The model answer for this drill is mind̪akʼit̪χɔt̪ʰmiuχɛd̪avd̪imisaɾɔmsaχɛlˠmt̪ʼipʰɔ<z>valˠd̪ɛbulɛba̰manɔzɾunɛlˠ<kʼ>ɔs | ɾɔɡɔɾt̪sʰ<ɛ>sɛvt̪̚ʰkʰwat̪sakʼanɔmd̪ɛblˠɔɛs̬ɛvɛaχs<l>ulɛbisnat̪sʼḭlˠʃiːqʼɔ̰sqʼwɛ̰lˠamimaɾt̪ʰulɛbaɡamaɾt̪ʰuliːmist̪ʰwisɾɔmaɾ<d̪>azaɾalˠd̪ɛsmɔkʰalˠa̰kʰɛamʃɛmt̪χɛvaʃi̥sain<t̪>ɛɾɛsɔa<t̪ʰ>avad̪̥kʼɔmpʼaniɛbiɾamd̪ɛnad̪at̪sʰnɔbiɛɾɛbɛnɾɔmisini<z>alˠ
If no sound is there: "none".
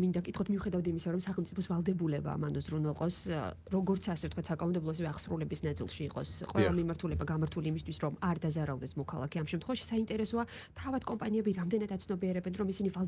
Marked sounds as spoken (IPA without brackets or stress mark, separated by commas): s, qʼ, a, ɾ, d̪, t̪ʼ, t̪ʰ, v